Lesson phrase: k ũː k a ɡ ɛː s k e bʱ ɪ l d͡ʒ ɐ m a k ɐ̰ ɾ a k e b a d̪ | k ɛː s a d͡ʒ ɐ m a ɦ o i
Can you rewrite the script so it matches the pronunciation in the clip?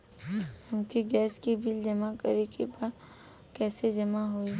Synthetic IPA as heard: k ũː k i ɡ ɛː s k i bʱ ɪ l d͡ʒ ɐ m a k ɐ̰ ɾ e k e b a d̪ | k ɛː s e d͡ʒ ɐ m a ɦ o i